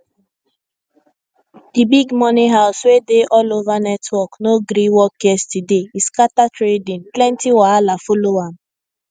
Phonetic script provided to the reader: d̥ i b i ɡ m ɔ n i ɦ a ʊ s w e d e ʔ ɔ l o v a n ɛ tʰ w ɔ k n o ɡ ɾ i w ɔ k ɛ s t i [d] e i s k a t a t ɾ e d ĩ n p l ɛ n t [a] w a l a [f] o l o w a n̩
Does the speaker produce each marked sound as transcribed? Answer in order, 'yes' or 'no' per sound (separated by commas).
yes, no, yes